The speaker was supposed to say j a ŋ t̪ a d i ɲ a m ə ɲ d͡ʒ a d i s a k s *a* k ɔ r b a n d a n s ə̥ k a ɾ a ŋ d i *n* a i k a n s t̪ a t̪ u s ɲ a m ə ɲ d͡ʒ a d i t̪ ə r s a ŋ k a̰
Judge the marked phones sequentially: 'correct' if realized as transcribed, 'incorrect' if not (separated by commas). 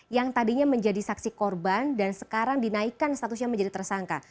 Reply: incorrect, correct